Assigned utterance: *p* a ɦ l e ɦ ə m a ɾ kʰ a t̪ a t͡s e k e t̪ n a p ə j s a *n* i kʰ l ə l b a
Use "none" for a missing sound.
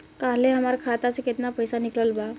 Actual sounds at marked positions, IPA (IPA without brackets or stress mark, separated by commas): k, n